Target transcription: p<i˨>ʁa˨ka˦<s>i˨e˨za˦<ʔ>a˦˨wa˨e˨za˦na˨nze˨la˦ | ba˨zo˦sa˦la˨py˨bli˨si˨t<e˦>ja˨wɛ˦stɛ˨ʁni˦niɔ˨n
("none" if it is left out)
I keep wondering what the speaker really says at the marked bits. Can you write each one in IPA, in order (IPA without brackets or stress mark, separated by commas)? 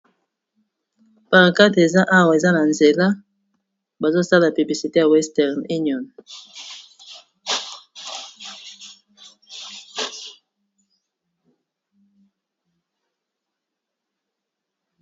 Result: a˨, t, ʔ, e˦